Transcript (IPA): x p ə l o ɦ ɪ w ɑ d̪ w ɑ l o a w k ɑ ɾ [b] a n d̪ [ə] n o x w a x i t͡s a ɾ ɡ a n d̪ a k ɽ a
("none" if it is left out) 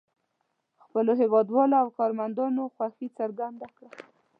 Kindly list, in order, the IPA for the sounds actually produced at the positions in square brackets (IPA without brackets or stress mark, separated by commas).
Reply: m, ɑ